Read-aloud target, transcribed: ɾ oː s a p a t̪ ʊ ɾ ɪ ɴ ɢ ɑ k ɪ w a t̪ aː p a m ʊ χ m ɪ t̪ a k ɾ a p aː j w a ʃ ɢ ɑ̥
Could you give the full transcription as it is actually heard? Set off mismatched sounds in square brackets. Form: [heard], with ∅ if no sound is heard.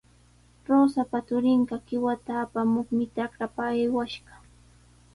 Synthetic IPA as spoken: ɾ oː s a p a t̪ ʊ ɾ ɪ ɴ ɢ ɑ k ɪ w a t̪ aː p a m ʊ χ m ɪ t̪ a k ɾ a p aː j w a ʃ ɢ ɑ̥